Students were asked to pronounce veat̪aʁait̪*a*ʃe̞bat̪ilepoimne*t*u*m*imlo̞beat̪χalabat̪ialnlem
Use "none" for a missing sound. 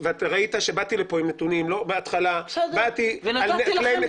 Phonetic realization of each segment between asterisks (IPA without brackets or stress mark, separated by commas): a, t, n